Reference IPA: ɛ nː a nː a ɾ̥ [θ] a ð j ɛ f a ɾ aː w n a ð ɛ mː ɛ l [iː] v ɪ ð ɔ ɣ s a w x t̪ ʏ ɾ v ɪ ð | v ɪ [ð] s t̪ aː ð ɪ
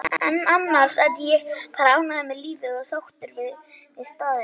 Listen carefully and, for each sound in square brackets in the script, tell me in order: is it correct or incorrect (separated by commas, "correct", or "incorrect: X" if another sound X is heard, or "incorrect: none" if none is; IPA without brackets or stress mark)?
incorrect: s, correct, correct